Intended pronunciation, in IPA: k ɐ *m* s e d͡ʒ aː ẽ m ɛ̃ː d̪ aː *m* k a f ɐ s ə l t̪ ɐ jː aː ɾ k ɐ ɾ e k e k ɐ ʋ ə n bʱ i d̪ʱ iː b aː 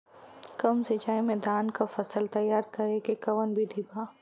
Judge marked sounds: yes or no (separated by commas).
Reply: yes, no